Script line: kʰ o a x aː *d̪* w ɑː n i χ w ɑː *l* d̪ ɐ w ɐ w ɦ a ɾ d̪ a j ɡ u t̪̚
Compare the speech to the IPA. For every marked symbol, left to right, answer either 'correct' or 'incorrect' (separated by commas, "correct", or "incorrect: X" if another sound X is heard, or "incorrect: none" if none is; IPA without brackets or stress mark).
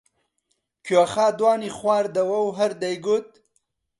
correct, incorrect: ɾ